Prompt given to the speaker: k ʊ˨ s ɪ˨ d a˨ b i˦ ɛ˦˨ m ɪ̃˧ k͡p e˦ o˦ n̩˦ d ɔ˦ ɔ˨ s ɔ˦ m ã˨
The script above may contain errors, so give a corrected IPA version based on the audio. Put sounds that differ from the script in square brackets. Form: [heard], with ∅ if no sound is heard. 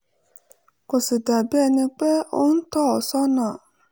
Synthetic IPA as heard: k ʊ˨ s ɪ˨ d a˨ b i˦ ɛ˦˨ [n] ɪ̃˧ k͡p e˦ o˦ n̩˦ [t] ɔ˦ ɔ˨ s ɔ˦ [n] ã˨